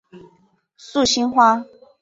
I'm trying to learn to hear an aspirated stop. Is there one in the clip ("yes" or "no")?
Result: no